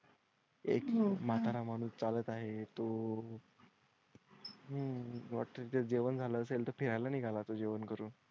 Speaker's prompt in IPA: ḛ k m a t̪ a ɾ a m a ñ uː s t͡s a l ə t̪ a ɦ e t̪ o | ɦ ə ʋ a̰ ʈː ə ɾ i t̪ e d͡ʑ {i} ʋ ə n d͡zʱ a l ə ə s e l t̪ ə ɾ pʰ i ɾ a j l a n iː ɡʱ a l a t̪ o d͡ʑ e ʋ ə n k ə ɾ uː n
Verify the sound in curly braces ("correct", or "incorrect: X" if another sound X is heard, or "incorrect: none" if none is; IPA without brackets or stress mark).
incorrect: e